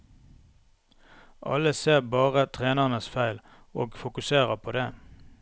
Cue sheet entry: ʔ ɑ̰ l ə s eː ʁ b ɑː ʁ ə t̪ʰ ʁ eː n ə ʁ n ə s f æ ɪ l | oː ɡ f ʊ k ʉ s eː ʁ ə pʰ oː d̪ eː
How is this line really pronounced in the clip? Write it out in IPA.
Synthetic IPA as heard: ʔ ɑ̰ l ə s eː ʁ b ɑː ʁ ə t̪ʰ ʁ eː n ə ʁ n ə s f æ ɪ l | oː ɡ f ʊ k ʉ s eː ʁ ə pʰ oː d̪ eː